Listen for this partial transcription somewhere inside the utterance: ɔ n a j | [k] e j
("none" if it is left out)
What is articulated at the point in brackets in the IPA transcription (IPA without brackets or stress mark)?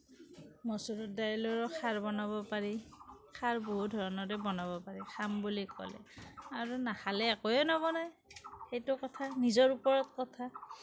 x